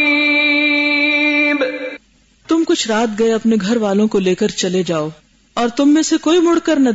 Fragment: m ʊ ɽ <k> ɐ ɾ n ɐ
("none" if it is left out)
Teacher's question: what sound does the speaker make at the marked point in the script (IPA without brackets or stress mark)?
k